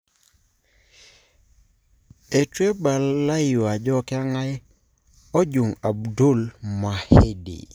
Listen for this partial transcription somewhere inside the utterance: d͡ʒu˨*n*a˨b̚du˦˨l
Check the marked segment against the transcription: incorrect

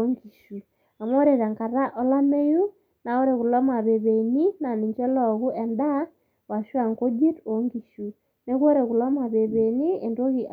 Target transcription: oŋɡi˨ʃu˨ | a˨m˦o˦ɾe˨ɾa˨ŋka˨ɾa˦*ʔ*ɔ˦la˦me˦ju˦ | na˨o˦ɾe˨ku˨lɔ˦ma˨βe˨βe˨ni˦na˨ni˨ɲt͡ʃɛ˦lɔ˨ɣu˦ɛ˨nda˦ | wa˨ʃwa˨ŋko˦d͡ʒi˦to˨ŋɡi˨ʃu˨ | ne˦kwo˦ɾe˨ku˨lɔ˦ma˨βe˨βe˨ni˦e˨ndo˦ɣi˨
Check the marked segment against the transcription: correct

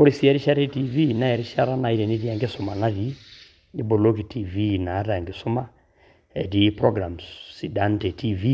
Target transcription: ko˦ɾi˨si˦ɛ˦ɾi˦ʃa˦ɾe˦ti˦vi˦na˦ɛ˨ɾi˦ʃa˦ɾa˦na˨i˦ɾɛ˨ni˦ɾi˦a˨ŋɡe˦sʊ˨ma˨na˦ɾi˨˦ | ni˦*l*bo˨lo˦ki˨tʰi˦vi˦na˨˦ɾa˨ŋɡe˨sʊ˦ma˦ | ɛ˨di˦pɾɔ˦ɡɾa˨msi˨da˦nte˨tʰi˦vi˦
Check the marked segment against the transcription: incorrect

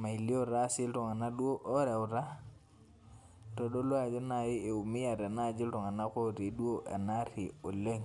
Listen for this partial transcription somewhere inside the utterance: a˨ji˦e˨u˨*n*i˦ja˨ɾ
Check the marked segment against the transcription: incorrect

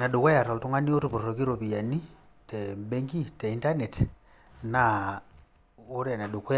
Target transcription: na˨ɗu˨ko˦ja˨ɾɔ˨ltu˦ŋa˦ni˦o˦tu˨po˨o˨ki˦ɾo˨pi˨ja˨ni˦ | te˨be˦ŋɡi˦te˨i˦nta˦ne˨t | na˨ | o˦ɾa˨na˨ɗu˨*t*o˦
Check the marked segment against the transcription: incorrect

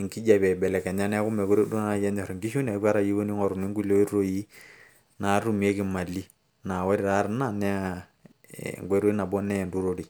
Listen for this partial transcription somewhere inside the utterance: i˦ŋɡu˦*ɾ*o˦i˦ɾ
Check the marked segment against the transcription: incorrect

